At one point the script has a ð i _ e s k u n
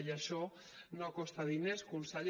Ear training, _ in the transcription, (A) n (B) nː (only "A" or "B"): A